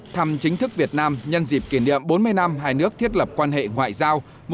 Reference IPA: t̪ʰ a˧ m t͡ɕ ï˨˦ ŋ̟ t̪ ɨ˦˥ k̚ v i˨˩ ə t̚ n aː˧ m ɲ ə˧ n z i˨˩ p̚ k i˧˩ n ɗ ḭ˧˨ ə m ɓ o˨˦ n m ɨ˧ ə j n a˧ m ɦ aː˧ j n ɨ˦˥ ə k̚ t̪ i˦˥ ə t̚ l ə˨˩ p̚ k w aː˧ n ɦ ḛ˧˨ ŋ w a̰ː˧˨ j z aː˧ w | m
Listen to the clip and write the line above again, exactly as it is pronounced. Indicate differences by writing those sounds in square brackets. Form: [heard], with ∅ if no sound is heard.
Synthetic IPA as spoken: t̪ʰ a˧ m t͡ɕ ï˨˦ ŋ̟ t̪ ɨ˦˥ k̚ v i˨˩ ə t̚ n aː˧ m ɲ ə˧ n z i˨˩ p̚ k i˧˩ n ɗ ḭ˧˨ ə m ɓ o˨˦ n m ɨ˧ ə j n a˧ m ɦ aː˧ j n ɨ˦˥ ə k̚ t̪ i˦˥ ə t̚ l ə˨˩ p̚ k w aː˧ n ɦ ḛ˧˨ ŋ w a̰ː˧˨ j z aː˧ w | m